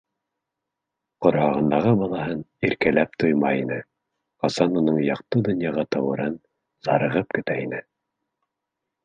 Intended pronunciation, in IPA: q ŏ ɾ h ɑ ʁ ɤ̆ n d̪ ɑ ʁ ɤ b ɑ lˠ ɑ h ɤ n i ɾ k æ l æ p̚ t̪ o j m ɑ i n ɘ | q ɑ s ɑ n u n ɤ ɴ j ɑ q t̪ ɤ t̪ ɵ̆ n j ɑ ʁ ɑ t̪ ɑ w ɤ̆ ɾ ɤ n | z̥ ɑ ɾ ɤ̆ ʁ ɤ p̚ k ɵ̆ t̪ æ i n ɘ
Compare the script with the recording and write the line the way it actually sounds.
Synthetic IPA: q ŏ ɾ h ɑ ʁ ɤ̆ n d̪ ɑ ʁ ɤ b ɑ lˠ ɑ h ɤ n i ɾ k æ l æ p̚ t̪ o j m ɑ i n ɘ | q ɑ s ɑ n u n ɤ ɴ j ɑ q t̪ ɤ d̪ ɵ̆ n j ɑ ʁ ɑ t̪ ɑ w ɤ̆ ɾ ɤ n | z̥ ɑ ɾ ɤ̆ ʁ ɤ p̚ k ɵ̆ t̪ æ i n ɘ